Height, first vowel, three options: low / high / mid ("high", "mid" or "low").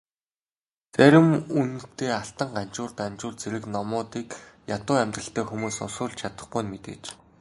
low